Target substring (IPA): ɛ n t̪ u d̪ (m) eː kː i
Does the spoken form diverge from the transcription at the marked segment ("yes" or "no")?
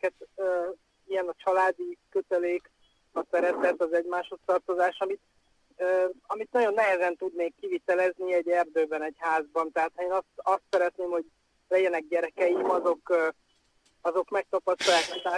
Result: yes